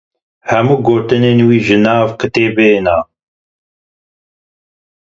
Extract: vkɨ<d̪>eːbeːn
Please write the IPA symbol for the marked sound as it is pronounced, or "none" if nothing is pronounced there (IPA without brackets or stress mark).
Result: t̪